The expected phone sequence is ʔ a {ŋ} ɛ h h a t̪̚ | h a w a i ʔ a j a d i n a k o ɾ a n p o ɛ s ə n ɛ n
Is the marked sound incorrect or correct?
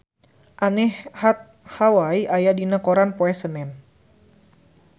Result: incorrect: n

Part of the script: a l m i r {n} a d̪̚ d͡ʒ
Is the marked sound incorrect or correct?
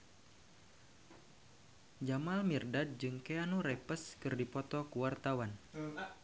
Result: incorrect: d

